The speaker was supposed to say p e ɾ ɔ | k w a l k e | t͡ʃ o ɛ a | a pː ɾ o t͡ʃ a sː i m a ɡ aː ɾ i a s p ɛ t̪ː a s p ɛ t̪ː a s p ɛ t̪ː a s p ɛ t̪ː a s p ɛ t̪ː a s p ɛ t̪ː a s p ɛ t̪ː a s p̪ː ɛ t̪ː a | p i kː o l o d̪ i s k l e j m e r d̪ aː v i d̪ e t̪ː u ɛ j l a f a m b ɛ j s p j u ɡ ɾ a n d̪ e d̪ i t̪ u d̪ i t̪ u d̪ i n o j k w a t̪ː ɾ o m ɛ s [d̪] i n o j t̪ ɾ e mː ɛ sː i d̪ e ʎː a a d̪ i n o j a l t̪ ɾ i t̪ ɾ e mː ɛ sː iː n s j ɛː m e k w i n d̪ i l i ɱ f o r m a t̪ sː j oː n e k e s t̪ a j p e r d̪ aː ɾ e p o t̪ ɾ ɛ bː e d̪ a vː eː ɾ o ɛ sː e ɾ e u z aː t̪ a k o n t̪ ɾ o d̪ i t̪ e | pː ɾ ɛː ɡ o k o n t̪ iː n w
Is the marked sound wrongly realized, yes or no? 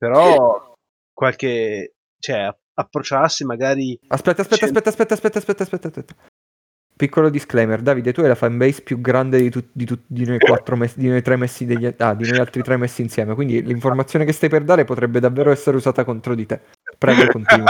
no